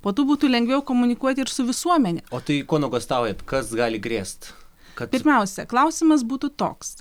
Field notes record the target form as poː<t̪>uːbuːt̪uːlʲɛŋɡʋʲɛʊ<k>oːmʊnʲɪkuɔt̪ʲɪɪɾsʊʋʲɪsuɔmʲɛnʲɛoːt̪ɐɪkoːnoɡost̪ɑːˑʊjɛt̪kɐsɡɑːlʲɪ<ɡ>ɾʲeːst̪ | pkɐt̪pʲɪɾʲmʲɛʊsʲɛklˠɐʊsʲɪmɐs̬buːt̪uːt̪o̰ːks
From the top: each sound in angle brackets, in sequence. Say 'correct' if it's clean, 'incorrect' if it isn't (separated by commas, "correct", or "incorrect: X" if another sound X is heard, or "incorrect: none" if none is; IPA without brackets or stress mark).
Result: correct, correct, correct